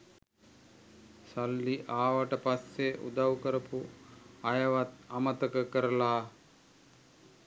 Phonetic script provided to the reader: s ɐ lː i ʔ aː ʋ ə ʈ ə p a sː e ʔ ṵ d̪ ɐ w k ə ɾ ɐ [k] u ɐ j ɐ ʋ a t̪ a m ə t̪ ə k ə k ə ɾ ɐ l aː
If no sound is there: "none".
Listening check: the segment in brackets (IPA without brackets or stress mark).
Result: p